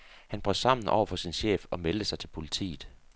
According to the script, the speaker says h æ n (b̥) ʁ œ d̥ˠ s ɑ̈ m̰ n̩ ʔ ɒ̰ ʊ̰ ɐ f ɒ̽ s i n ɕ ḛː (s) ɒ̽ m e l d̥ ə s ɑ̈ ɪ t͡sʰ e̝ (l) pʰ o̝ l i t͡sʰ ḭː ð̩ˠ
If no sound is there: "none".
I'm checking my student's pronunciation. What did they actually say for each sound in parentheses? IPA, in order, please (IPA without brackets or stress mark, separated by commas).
b̥, f, l